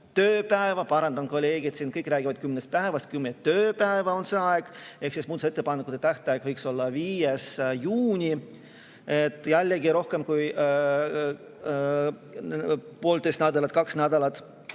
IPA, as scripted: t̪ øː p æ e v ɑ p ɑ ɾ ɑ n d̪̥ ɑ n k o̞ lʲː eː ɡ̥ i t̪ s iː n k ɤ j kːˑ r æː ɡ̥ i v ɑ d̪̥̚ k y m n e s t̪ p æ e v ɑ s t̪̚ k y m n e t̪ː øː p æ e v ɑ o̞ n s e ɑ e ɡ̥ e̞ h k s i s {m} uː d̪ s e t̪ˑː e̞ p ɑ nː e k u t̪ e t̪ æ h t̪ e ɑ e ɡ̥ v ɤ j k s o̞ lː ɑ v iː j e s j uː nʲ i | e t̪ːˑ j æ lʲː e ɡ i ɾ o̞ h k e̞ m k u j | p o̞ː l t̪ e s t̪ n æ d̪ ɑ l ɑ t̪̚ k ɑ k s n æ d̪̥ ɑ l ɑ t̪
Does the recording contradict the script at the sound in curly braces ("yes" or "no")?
no